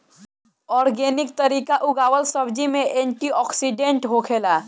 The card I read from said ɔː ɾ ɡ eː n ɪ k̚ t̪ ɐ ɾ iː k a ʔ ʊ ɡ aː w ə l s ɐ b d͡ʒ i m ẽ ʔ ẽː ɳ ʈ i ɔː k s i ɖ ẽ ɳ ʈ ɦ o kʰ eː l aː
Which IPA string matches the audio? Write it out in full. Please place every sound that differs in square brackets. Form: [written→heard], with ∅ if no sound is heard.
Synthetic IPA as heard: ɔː ɾ ɡ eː n ɪ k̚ t̪ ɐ ɾ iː k a ʔ ʊ ɡ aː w ə l s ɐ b d͡ʒ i m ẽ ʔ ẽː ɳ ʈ i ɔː k s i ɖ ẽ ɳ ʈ ɦ o kʰ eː l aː